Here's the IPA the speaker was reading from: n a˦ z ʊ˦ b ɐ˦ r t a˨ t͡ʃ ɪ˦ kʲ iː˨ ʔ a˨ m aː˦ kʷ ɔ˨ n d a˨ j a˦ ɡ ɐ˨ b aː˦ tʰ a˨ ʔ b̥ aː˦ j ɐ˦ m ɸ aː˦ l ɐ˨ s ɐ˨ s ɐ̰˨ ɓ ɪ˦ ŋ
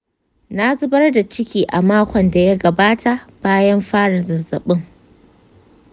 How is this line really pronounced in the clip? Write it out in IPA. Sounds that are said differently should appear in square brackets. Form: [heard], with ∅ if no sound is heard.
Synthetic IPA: n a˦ z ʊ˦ b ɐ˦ r [d] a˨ t͡ʃ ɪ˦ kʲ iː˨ ʔ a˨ m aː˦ kʷ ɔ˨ n d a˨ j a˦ ɡ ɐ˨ b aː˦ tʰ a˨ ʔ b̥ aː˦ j ɐ˦ m ɸ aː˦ [ɽ] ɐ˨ [z] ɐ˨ [z] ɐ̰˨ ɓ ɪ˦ ŋ

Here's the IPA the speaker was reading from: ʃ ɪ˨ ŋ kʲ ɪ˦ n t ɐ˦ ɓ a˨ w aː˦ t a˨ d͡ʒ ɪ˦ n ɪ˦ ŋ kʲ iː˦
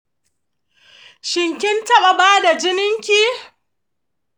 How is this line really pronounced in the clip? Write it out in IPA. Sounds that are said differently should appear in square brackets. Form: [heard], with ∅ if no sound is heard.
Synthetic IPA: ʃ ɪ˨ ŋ kʲ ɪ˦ n t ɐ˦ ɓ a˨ [b] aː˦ [d] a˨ d͡ʒ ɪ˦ n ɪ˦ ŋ kʲ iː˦

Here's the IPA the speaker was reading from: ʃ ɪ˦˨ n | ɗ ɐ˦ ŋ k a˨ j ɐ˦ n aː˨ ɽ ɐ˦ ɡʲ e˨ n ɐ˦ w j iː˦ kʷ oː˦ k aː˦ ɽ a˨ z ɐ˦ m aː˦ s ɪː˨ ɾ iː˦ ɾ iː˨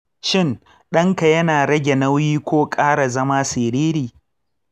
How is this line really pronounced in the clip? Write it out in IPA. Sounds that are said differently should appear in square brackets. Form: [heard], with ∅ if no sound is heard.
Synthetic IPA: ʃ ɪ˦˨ n | ɗ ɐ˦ ŋ k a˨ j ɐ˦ n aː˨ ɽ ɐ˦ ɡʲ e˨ n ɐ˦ w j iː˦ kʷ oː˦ [kʼ] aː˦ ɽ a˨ z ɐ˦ m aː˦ s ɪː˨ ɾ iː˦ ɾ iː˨

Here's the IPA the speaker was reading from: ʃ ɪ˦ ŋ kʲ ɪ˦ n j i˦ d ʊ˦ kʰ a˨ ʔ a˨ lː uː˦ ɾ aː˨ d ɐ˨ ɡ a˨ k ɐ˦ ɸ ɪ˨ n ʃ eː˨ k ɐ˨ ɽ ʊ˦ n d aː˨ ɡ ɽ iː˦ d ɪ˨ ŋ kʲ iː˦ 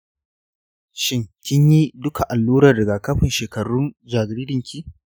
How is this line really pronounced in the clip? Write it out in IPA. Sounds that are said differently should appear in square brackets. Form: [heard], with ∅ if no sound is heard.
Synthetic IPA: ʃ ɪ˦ ŋ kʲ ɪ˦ [ɲ] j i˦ d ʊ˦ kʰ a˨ ʔ a˨ lː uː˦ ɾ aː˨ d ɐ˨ ɡ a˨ k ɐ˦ ɸ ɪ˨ n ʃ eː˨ k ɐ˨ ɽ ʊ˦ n [d͡ʒ] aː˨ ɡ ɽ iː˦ d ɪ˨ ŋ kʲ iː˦

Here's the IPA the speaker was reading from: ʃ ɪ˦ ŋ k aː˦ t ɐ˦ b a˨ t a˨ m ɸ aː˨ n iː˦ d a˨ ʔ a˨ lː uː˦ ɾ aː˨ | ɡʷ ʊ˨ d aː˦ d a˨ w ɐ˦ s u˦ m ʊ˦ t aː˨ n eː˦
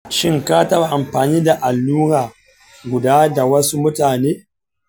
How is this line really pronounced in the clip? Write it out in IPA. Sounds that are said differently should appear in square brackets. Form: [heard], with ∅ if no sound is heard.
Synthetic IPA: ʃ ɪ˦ ŋ k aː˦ t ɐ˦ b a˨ [ʔ] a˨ m ɸ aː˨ n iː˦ d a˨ ʔ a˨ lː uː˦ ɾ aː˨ | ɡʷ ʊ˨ d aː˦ d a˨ w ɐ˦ s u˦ m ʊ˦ t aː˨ n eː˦

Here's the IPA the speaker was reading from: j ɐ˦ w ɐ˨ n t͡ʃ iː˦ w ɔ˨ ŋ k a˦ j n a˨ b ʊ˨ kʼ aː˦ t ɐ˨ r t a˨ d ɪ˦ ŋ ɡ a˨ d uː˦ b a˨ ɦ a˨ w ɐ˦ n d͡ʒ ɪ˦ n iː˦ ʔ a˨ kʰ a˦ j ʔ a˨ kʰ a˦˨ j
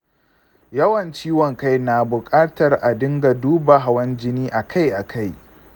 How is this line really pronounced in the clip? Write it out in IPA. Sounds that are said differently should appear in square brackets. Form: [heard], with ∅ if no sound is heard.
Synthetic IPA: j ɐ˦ w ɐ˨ n t͡ʃ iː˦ w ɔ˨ ŋ k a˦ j n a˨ b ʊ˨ kʼ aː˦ t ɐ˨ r [ʔ] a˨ d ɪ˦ ŋ ɡ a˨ d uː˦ b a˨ ɦ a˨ w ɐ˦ n d͡ʒ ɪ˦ n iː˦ ʔ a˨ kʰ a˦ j ʔ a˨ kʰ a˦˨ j

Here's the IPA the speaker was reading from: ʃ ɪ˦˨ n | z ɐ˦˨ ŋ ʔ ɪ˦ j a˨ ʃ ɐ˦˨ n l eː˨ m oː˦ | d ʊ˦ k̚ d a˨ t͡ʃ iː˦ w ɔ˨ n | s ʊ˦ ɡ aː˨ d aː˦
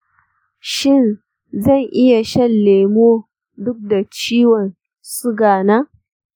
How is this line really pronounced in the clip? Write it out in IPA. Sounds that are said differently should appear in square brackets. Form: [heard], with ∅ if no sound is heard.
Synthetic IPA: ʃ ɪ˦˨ n | z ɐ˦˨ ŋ ʔ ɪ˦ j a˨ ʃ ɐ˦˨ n l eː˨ m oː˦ | d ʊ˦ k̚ d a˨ t͡ʃ iː˦ w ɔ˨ n | s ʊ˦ ɡ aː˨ [n] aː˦

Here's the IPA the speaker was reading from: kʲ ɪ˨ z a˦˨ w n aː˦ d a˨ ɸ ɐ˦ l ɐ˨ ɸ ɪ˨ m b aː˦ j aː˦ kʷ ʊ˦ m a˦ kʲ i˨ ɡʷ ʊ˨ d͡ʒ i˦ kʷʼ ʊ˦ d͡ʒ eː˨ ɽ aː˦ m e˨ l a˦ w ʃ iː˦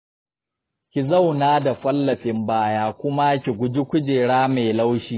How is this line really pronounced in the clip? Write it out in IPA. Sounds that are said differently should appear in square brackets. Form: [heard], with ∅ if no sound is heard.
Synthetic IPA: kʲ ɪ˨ z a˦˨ w n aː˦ d a˨ ɸ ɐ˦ [lː] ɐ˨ ɸ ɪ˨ m b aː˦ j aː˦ kʷ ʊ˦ m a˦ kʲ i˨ ɡʷ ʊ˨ d͡ʒ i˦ [kʷ] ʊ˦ d͡ʒ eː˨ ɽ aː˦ m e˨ l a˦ w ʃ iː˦

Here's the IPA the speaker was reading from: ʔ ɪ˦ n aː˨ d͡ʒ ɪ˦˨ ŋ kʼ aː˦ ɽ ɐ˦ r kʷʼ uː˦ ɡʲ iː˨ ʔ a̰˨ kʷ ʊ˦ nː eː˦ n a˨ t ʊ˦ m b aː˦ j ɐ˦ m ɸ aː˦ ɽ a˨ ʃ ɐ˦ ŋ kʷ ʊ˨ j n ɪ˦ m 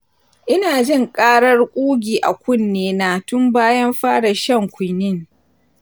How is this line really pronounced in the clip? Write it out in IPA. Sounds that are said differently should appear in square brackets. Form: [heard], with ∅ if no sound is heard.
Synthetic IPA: ʔ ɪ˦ n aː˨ d͡ʒ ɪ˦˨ ŋ kʼ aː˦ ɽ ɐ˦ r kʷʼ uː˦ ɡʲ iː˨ ʔ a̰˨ kʷ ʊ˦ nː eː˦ n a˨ t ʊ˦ m b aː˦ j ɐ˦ m ɸ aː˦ ɽ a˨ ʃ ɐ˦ ŋ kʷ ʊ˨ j n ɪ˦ [ŋ]

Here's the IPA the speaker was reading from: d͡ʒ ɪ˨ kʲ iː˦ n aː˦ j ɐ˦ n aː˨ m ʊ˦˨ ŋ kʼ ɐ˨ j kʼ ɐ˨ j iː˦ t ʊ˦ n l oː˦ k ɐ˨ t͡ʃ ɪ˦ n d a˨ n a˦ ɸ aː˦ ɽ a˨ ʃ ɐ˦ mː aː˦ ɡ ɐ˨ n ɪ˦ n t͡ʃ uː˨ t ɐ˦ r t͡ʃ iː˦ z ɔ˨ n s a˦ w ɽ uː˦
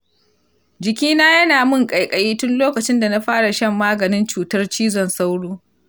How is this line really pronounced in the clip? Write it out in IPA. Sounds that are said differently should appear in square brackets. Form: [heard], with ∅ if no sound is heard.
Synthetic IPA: d͡ʒ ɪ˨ kʲ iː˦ n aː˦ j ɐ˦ n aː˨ m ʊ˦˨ ŋ kʼ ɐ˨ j kʼ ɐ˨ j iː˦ t ʊ˦ n l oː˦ k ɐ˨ t͡ʃ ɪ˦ n d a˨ n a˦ ɸ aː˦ ɽ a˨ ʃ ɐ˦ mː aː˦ ɡ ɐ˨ n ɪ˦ n t͡ʃ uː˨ t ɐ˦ r t͡ʃ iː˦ z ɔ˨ n s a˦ w ɽ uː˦

